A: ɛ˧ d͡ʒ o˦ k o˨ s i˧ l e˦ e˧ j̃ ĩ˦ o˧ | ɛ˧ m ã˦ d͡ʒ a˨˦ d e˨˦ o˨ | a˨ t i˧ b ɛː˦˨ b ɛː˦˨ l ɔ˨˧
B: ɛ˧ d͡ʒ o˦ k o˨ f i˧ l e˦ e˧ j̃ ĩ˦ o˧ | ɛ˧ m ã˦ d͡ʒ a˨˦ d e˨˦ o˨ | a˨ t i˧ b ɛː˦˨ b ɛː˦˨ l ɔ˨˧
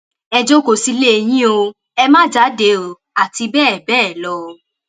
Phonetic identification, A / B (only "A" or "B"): A